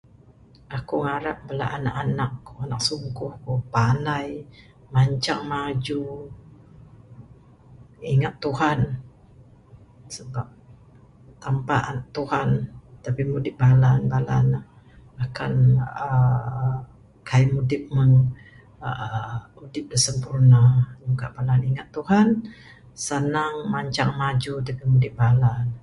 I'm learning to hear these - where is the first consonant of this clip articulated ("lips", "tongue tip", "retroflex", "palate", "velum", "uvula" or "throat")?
velum